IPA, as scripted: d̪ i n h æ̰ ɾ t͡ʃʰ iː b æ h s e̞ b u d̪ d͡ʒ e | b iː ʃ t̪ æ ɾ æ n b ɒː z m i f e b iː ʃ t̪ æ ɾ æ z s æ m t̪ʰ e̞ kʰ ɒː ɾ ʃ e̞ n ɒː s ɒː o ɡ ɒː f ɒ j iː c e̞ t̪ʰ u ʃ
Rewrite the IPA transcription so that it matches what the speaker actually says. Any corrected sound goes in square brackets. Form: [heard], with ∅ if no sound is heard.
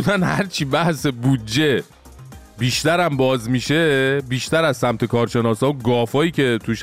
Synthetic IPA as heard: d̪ [æ] n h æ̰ ɾ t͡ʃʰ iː b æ h s e̞ b u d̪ d͡ʒ e | b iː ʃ t̪ æ ɾ æ [m] b ɒː z m i [ʃ] e b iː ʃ t̪ æ ɾ æ z s æ m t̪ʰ e̞ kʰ ɒː ɾ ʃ e̞ n ɒː s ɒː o ɡ ɒː f [ɒː] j iː c e̞ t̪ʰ u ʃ